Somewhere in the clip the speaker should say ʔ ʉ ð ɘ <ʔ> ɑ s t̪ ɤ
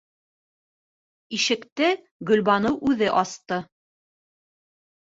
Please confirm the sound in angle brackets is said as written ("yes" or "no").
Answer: yes